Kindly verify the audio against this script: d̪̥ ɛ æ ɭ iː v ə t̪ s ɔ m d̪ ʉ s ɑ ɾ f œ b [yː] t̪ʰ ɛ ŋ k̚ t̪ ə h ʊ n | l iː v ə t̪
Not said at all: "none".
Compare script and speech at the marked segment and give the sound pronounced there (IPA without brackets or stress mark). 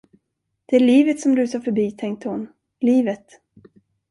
iː